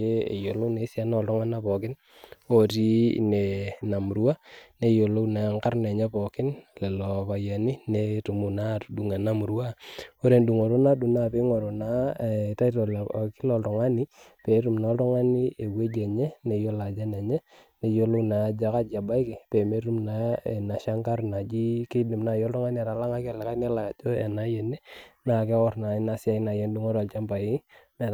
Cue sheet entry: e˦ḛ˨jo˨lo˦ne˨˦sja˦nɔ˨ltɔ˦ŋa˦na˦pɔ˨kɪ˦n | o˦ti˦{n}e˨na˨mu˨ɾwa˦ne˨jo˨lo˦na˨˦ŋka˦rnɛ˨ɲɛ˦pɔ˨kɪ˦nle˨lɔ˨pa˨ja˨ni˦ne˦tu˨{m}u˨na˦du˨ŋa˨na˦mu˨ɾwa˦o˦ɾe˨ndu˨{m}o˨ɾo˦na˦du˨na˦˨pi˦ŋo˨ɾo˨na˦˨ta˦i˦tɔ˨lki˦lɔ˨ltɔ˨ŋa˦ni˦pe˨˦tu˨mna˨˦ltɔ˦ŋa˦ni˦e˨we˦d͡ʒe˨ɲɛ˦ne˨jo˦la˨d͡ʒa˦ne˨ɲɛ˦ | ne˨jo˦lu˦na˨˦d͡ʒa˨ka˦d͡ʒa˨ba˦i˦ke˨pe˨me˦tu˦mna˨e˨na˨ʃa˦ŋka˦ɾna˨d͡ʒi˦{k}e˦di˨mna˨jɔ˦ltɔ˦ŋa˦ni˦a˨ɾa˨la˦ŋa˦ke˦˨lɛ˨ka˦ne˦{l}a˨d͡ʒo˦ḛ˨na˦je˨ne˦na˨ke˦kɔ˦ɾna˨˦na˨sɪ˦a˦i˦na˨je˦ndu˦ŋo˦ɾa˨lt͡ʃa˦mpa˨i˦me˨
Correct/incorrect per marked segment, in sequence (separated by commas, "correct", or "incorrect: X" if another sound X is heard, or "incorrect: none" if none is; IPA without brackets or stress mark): correct, correct, incorrect: ŋ, correct, correct